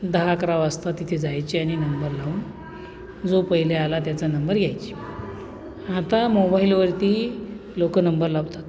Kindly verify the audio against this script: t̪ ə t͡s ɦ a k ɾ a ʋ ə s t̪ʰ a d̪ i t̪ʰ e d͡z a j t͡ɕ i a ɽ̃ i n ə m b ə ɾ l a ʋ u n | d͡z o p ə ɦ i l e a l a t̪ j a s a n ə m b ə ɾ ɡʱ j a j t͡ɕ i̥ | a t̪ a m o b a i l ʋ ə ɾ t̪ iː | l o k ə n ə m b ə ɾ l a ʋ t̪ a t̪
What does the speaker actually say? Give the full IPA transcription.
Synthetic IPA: d̪ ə ɦ a k ɾ a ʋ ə s t̪ a t̪ i t̪ʰ e d͡z a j t͡ɕ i a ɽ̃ i n ə m b ə ɾ l a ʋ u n | d͡z o p ə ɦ i l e a l a t̪ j a t͡s a n ə m b ə ɾ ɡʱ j a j t͡ɕ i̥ | a t̪ a m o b a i l ʋ ə ɾ t̪ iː | l o k ə n ə m b ə ɾ l a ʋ t̪ a t̪